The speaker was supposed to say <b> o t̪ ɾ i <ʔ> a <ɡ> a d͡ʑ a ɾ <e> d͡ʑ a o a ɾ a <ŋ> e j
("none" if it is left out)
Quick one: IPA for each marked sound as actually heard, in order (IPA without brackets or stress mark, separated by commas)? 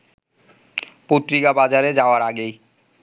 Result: p, k, b, e, ɡ